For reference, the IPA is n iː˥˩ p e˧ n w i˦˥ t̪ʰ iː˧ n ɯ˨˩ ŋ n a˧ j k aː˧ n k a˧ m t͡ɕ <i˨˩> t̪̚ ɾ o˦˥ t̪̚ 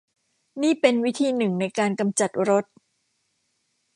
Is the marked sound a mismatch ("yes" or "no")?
yes